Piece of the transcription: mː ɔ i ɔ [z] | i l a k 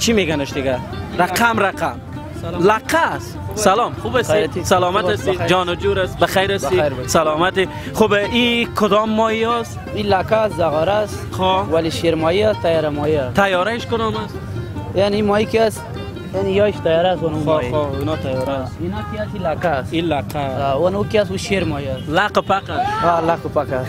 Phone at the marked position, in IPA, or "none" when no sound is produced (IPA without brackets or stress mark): s